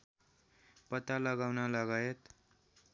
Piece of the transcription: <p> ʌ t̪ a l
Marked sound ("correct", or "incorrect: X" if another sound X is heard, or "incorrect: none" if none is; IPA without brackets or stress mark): correct